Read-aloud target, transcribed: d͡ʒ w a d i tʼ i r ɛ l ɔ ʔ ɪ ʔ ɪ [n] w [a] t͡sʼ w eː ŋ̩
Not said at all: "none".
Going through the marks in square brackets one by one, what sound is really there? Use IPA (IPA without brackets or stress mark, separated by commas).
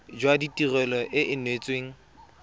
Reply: n, e